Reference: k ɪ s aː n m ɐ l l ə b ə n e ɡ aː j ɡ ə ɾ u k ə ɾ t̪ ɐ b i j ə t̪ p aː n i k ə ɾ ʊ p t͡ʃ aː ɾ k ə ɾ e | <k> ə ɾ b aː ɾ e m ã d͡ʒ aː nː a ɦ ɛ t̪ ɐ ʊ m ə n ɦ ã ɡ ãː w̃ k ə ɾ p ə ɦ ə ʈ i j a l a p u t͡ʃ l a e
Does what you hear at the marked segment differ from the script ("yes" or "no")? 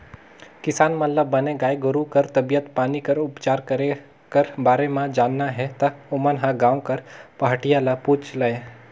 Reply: no